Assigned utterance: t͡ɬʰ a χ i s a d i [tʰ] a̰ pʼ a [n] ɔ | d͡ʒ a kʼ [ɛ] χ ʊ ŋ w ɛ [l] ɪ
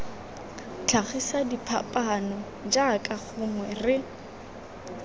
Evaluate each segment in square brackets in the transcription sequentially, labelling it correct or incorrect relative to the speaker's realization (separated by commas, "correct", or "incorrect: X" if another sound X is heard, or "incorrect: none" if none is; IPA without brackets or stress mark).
incorrect: pʰ, correct, incorrect: a, incorrect: r